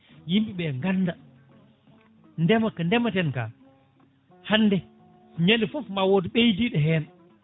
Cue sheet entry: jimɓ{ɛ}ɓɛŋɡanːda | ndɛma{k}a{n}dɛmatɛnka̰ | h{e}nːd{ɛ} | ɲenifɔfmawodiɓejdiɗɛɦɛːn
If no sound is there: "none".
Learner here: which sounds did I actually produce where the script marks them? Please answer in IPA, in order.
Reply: i, k, n, a, ɛ

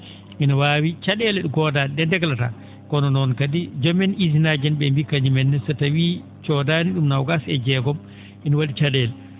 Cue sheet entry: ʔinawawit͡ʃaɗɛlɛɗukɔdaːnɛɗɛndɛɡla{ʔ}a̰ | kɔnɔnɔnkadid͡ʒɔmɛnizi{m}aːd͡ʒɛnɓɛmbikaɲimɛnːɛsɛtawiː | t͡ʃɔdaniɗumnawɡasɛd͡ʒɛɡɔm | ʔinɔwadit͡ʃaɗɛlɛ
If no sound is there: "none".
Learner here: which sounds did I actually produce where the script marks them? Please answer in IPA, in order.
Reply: t, n

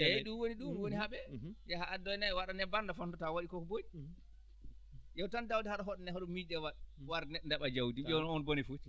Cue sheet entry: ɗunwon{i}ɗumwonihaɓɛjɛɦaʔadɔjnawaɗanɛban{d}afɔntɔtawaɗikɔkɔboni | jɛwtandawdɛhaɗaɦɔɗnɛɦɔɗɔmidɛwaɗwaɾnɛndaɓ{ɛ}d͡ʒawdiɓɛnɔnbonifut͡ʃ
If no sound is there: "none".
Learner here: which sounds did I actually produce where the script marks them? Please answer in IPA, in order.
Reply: i, d, a

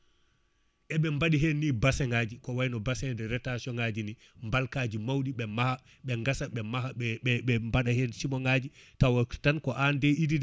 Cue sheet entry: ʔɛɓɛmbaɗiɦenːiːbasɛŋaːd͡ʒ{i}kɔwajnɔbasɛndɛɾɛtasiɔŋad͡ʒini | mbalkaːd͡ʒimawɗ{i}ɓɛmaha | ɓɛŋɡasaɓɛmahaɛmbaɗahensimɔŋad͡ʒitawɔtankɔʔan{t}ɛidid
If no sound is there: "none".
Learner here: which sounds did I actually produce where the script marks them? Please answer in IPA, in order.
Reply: i, i, d

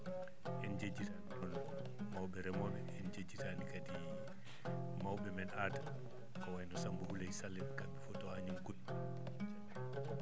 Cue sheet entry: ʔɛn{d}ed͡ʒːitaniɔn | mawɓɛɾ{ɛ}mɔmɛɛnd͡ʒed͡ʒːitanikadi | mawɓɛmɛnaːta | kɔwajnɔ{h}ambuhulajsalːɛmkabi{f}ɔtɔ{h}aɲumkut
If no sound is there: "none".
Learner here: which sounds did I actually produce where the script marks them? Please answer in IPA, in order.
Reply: d͡ʒ, ɛ, s, f, h

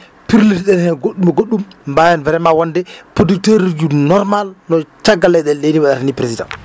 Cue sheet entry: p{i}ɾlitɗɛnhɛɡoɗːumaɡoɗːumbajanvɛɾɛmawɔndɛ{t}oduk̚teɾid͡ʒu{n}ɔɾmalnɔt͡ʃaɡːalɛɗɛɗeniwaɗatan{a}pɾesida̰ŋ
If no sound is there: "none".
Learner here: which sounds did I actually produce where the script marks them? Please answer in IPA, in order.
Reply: i, p, n, i

